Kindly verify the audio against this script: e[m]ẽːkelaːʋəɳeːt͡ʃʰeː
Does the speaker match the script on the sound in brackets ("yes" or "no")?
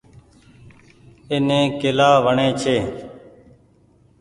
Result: no